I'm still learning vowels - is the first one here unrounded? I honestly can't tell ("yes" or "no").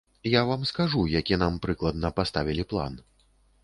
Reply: yes